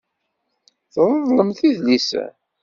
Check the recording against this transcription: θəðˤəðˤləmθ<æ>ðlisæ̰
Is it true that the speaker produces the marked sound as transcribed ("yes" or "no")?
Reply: no